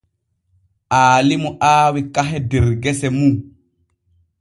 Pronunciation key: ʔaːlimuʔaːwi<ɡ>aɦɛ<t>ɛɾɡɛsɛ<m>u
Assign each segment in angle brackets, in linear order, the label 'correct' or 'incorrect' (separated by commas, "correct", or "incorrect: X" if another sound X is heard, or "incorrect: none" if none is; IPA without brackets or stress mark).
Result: incorrect: k, incorrect: d, correct